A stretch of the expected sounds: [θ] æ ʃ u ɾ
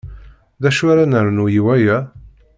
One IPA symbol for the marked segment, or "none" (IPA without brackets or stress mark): ð